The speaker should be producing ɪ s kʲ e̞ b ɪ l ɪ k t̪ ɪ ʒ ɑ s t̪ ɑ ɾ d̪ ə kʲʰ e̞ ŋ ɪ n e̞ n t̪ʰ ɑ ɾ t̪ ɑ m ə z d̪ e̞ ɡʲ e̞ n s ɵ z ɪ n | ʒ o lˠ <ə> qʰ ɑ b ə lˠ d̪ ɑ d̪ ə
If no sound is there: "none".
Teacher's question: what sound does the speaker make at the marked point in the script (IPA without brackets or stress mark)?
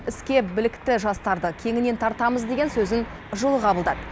ə